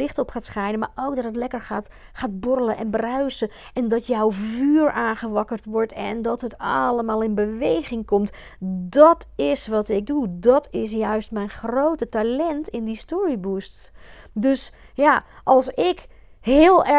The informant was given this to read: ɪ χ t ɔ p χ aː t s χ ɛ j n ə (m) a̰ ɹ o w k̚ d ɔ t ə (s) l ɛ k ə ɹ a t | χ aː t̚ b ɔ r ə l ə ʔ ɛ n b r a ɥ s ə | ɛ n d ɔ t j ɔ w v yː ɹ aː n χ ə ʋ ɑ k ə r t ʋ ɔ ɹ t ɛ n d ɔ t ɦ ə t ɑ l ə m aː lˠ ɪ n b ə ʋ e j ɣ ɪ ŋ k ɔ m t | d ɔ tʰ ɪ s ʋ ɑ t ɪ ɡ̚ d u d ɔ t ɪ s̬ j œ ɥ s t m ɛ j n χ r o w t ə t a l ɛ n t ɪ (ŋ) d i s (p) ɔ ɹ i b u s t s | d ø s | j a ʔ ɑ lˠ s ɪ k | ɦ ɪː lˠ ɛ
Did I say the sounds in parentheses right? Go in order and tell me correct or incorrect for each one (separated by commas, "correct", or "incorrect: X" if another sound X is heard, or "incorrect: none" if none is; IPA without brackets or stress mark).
correct, incorrect: t, incorrect: n, incorrect: t